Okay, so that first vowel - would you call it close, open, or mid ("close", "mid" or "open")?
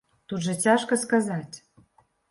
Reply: close